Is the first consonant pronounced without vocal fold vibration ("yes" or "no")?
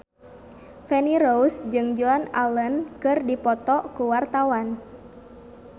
yes